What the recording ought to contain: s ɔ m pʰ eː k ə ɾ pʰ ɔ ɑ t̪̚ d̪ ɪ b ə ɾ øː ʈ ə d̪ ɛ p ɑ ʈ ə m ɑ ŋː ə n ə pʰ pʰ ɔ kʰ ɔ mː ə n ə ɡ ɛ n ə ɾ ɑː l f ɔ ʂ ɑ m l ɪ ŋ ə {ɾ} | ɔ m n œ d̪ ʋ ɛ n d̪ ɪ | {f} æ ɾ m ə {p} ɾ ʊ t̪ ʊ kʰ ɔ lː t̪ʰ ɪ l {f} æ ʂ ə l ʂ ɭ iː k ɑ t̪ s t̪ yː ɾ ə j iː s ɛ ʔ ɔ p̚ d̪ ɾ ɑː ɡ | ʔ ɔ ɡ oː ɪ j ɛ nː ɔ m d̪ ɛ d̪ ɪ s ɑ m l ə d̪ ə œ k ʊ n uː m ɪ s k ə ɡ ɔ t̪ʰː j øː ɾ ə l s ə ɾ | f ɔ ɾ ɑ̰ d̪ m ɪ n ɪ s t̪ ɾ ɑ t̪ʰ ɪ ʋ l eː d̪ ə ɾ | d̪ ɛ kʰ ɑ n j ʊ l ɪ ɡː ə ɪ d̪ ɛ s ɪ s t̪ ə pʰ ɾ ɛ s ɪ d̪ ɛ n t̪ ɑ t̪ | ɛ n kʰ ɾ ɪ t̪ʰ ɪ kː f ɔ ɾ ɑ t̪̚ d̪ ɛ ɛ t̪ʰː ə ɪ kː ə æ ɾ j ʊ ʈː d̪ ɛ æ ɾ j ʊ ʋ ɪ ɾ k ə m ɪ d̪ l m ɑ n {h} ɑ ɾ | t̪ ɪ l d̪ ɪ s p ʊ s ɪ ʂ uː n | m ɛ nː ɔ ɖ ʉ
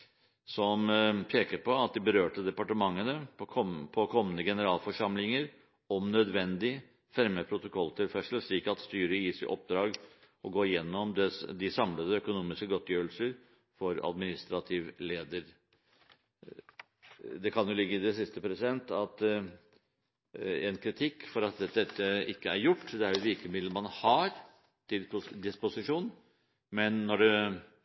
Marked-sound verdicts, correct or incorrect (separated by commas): correct, correct, incorrect, correct, correct